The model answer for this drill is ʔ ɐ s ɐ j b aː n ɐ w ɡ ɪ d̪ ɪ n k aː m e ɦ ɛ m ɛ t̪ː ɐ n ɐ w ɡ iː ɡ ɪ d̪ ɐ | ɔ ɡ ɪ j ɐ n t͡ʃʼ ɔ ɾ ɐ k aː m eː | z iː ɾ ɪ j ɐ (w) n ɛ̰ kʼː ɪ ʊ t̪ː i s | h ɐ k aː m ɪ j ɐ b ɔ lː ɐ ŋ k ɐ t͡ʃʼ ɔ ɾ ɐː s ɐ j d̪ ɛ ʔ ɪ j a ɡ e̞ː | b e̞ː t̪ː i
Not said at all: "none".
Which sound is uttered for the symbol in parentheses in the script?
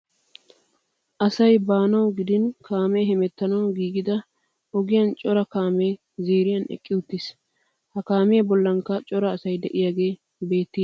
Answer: none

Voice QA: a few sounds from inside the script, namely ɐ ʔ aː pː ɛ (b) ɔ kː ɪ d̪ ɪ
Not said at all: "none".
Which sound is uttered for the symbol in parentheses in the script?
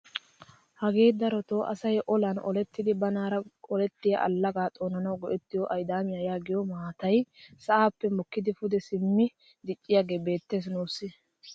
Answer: m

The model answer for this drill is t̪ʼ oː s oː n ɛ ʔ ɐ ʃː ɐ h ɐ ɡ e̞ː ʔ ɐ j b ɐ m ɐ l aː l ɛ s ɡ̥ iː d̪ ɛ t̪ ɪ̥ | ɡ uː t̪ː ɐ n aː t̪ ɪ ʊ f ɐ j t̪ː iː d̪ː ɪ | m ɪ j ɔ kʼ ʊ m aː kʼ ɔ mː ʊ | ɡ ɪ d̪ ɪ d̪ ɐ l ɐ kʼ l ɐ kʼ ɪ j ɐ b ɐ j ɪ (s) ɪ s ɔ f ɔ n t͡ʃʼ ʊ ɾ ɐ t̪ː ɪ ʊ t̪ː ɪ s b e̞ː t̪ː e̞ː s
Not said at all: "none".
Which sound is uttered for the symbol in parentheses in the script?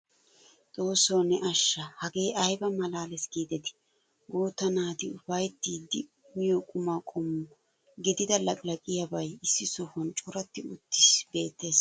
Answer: sː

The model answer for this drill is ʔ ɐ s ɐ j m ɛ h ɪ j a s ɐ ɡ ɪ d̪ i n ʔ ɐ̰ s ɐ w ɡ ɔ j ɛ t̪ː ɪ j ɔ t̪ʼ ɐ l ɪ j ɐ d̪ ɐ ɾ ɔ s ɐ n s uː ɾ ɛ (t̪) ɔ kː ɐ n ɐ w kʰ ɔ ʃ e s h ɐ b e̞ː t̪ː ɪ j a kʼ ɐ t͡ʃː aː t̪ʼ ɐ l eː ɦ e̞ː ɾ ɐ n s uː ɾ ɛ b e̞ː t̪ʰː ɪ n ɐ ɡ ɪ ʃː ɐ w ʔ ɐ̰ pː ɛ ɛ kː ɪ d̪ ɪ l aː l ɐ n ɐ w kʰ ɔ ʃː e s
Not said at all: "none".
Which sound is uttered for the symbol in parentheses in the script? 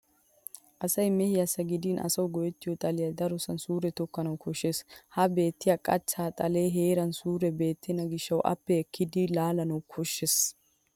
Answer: t̪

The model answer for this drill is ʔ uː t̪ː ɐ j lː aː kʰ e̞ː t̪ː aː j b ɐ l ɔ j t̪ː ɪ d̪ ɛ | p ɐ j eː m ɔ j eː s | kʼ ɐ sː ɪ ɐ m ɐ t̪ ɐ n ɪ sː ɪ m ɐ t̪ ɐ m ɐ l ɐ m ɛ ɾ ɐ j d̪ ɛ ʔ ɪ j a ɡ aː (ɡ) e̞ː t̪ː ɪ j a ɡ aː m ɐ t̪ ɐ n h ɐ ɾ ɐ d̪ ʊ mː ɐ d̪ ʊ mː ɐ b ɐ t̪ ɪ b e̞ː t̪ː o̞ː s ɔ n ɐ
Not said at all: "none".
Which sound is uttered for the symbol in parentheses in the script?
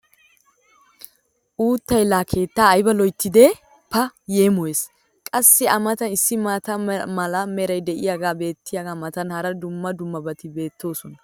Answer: b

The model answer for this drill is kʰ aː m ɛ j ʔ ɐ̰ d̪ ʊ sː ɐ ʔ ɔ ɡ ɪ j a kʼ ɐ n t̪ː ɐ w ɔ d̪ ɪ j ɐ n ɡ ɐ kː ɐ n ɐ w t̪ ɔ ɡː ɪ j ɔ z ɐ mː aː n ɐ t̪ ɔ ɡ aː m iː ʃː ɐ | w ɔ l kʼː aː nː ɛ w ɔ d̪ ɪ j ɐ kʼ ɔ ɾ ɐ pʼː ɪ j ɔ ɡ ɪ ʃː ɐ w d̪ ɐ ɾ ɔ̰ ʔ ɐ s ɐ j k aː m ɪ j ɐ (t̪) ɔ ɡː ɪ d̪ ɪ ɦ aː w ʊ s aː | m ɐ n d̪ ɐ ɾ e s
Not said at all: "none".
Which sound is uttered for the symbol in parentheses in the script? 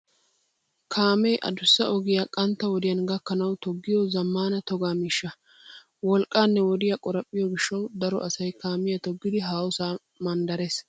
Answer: t̪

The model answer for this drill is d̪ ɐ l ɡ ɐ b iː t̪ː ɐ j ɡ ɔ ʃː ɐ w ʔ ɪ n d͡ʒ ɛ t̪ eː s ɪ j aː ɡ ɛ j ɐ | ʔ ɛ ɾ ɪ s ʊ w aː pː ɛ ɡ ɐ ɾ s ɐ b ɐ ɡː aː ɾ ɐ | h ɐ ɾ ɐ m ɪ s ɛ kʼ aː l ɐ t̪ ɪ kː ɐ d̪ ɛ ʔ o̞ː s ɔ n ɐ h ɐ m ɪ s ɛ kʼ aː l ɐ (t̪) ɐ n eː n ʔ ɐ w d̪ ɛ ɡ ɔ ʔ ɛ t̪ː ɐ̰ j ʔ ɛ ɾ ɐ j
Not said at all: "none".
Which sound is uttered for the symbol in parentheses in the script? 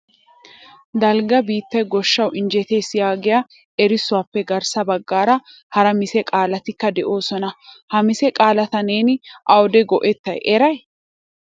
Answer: t̪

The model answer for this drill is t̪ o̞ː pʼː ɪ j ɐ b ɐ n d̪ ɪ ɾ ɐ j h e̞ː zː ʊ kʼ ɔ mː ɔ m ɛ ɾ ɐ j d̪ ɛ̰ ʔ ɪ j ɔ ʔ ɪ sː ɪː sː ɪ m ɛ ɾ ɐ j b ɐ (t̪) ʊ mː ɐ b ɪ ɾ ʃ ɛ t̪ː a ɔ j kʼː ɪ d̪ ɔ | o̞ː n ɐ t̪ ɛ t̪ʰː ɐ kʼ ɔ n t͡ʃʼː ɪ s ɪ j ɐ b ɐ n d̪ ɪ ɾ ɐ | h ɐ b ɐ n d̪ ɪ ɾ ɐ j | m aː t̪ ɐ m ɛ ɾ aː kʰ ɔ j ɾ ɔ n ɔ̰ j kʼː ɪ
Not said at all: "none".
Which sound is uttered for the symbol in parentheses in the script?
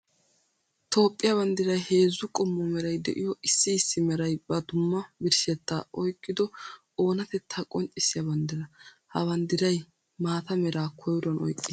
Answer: d̪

